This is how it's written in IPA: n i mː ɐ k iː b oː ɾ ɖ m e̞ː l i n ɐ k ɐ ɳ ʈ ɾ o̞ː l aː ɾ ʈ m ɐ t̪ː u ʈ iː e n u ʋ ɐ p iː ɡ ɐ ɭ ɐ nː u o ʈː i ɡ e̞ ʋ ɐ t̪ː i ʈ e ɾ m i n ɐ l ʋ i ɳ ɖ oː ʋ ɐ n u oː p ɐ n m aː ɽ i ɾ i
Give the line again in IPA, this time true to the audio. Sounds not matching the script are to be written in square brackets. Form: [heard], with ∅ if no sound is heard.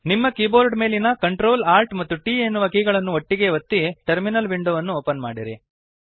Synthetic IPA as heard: n i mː ɐ k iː b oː ɾ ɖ m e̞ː l i n ɐ k ɐ ɳ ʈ ɾ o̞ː l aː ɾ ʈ m ɐ t̪ː u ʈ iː e [nː] u ʋ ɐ [k] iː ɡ ɐ ɭ ɐ nː u o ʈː i ɡ e̞ ʋ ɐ t̪ː i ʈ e ɾ m i n ɐ l ʋ i ɳ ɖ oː ʋ ɐ [nː] u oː p ɐ n m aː ɽ i ɾ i